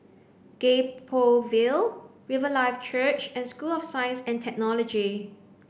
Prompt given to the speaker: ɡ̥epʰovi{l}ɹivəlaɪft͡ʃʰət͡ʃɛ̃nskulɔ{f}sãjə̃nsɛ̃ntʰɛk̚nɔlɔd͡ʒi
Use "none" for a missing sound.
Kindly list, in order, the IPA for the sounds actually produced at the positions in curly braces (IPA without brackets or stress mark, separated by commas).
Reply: l, f